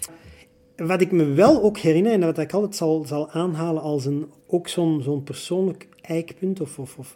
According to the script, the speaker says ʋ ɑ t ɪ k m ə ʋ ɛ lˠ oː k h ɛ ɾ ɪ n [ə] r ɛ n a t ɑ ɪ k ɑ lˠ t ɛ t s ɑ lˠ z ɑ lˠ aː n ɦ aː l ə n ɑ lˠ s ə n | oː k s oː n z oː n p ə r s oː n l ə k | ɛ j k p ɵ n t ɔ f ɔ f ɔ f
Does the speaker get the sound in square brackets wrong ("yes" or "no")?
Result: no